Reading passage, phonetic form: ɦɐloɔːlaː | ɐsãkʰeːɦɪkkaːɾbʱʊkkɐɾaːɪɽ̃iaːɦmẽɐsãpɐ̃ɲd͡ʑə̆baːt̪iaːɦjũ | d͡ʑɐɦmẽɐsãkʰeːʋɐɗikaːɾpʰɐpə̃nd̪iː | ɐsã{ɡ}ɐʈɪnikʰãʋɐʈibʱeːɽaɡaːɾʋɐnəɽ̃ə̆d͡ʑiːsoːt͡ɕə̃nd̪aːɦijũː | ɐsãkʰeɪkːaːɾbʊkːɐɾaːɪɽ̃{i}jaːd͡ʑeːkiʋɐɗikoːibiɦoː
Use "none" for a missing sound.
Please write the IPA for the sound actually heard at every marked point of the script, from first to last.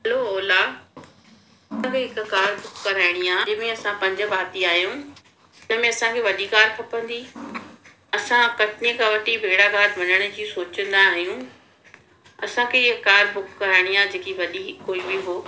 k, i

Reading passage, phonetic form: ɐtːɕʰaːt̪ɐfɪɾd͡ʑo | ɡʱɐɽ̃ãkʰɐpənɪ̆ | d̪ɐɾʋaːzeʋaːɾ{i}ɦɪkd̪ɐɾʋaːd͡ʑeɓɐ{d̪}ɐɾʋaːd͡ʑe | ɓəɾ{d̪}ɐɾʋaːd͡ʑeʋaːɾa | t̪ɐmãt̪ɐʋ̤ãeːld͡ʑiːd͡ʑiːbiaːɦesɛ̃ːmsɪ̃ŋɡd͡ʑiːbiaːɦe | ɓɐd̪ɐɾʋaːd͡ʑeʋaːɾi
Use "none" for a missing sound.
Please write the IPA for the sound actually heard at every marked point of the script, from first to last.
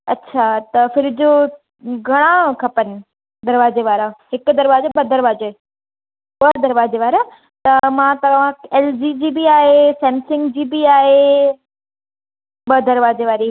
a, d̪, d̪

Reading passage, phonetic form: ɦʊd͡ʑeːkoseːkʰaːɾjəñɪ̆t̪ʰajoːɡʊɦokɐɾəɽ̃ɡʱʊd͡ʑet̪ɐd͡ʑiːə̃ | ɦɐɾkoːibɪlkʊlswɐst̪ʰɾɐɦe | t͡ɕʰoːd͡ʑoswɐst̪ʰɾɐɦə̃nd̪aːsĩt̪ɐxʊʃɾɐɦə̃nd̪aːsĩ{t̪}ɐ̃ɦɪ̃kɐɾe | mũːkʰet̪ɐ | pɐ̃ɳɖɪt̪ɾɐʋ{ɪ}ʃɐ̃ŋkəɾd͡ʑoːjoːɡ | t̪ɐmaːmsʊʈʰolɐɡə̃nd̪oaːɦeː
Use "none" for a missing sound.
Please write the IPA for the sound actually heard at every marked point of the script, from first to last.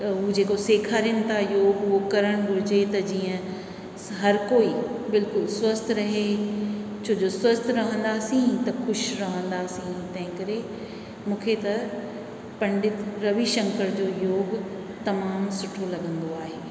t̪, i

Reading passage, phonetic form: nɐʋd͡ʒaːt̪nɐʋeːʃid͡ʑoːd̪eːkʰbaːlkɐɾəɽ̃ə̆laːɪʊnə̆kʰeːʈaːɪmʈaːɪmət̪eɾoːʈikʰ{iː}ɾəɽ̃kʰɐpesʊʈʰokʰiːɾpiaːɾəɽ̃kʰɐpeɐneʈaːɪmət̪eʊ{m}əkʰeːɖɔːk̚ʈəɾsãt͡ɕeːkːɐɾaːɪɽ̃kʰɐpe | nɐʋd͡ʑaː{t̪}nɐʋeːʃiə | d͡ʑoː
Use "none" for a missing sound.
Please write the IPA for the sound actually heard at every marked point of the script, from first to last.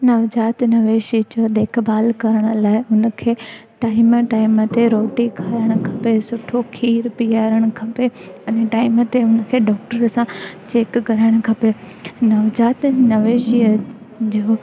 aː, n, t̪

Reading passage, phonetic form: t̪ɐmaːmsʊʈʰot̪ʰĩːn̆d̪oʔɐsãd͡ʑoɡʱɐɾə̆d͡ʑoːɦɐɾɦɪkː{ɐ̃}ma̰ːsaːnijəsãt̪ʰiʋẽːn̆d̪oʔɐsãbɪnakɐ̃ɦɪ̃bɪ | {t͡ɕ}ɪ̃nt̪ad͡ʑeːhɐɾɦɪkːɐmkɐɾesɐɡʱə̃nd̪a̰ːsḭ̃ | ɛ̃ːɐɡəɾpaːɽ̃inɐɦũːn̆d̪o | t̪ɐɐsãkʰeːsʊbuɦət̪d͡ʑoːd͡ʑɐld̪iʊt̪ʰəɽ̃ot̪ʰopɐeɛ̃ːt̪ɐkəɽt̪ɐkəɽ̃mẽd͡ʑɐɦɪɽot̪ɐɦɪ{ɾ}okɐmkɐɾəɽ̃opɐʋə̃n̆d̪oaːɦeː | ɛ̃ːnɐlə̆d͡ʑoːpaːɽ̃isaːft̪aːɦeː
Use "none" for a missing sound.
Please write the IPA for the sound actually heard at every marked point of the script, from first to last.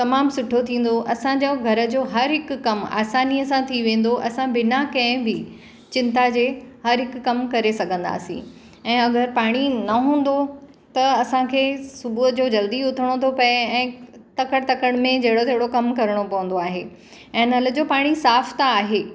ɐ, t͡ɕ, ɽ

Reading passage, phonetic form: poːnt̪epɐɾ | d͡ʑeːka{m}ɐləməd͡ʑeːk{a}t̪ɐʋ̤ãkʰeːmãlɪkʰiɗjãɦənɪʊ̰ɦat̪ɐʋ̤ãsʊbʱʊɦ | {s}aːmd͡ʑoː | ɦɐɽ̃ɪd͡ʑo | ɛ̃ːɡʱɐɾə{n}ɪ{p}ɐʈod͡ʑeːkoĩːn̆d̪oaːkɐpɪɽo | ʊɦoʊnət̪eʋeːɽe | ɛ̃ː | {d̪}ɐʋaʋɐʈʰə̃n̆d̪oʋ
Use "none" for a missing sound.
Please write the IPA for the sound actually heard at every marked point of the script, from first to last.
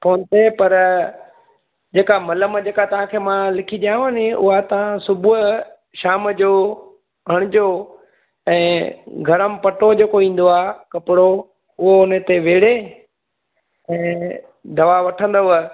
m, a, ʃ, m, p, d̪

